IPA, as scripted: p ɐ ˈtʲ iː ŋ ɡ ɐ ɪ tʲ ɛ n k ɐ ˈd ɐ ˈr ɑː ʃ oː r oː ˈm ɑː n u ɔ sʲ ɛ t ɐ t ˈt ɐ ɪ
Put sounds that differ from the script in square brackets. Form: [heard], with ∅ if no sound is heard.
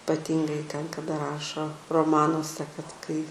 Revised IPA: p ɐ ˈtʲ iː ŋ ɡ ɐ ɪ tʲ ɛ n k ɐ ˈd ɐ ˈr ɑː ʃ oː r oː ˈm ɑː n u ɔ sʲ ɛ [k] ɐ t [ˈk] ɐ ɪ